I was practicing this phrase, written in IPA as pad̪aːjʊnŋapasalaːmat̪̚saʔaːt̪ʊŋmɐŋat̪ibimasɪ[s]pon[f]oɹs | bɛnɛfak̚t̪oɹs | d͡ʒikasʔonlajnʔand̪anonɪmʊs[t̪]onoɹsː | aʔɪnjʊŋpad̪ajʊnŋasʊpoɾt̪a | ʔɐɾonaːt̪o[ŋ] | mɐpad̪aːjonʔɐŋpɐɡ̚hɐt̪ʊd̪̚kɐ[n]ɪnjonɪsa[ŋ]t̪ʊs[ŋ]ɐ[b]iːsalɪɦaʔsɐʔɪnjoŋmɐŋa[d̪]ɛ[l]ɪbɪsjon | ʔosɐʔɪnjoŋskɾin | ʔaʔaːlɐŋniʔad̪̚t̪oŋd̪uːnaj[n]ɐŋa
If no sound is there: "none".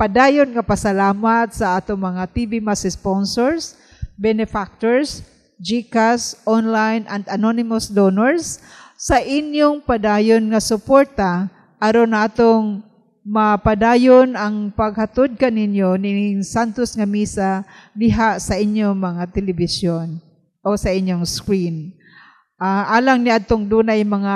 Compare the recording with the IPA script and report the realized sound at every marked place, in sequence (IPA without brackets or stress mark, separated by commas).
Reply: s, s, d̪, ŋ, n, n, ŋ, m, t̪, l, m